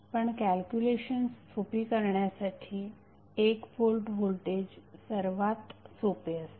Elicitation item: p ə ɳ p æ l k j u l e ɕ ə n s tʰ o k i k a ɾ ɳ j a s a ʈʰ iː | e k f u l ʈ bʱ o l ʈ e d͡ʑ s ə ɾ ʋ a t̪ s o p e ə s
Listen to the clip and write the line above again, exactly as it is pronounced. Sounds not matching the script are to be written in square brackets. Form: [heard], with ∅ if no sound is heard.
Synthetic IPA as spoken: p ə ɳ [k] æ l k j u l e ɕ ə n s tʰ o [p] i k [ə] ɾ ɳ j a s a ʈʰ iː | e k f [o] l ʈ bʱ o l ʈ e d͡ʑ s ə ɾ ʋ a t̪ s o p e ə s